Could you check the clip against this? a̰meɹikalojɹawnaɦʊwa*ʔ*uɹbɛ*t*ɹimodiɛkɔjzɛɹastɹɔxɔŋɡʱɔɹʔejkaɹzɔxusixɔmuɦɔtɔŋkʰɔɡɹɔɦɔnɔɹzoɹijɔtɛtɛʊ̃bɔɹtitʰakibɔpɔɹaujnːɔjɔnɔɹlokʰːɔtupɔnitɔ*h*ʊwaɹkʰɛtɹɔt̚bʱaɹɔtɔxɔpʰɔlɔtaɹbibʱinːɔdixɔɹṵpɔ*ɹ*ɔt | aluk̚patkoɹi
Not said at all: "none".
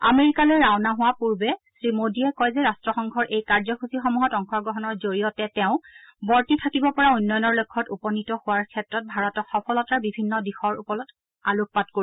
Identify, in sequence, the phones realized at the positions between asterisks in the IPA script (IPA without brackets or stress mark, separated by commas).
p, s, h, l